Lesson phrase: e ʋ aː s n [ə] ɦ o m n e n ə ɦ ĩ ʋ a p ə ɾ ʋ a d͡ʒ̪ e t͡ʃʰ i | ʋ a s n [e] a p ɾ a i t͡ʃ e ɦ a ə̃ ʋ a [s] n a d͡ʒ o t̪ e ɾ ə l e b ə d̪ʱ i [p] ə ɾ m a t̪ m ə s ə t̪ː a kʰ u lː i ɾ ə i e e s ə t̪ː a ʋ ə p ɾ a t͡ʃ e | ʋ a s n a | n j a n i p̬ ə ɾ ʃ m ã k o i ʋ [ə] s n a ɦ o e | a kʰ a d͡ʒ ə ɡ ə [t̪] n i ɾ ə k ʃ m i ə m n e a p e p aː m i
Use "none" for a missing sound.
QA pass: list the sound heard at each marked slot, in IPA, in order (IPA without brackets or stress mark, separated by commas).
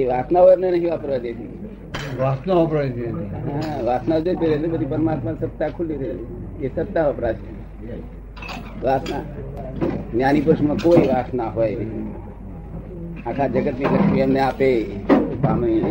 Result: a, a, s, p, a, t̪